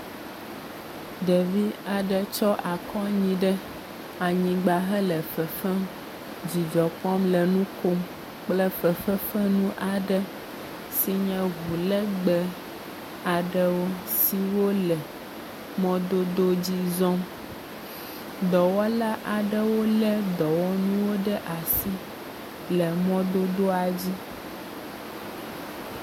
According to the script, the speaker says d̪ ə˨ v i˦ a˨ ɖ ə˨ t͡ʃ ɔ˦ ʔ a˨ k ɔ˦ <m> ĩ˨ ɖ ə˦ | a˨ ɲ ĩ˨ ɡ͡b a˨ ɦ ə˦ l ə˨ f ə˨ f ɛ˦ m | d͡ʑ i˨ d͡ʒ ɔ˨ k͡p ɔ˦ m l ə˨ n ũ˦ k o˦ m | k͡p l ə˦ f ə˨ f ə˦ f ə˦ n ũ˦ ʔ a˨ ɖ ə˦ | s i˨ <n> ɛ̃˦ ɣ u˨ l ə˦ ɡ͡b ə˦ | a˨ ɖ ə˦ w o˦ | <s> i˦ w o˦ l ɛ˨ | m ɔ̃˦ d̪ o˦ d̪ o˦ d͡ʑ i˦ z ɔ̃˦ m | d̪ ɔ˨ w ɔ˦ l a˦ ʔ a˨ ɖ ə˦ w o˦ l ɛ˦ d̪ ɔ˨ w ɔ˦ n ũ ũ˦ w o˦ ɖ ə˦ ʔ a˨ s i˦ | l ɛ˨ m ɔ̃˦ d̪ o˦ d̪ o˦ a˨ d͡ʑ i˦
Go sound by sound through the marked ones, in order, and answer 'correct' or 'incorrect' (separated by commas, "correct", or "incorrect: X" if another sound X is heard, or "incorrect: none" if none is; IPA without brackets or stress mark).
incorrect: ɲ, incorrect: ɲ, correct